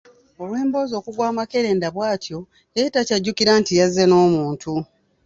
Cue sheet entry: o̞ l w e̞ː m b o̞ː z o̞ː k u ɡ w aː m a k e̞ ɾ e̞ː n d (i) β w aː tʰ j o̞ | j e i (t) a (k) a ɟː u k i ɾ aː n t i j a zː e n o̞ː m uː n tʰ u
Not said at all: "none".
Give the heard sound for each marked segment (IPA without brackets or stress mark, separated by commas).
a, t, c